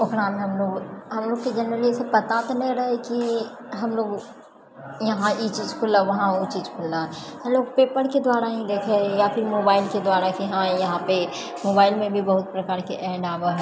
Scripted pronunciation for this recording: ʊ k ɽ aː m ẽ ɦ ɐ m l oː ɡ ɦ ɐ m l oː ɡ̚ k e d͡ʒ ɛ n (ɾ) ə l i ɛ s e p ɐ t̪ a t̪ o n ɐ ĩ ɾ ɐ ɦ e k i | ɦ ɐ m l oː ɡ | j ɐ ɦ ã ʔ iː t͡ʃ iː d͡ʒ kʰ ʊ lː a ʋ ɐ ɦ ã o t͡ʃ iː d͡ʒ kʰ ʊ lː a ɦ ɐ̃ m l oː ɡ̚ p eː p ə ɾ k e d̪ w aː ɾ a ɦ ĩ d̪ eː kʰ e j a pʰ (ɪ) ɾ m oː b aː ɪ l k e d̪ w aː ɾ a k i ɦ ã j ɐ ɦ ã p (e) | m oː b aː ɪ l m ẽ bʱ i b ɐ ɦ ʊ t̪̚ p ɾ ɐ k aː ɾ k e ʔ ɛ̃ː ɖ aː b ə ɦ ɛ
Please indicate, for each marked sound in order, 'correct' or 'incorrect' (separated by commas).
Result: correct, correct, correct